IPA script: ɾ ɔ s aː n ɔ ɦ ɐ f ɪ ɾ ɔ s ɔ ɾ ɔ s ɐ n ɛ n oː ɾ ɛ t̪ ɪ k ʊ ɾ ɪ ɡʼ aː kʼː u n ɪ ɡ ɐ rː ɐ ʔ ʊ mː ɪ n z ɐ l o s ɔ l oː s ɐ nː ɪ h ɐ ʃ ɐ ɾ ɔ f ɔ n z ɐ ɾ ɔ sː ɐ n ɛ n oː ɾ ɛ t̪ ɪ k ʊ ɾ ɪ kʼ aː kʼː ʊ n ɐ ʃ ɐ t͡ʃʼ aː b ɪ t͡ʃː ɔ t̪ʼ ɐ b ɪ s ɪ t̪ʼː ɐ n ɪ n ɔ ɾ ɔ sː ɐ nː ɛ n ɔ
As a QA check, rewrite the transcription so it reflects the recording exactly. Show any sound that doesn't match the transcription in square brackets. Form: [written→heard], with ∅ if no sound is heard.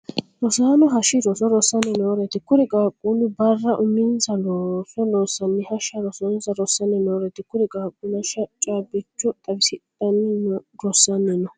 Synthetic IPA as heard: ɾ ɔ s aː n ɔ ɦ ɐ [f→ʃ] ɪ ɾ ɔ s ɔ ɾ ɔ s ɐ n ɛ n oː ɾ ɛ t̪ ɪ k ʊ ɾ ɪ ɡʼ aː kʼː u n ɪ [ɡ→b] ɐ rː ɐ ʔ ʊ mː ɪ n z ɐ l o s ɔ l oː s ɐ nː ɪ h ɐ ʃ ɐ ɾ ɔ [f→s] ɔ n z ɐ ɾ ɔ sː ɐ n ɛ n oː ɾ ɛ t̪ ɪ k ʊ ɾ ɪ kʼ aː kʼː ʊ n ɐ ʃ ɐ t͡ʃʼ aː b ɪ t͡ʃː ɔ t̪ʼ ɐ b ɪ s ɪ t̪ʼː ɐ n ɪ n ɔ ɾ ɔ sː ɐ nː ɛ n ɔ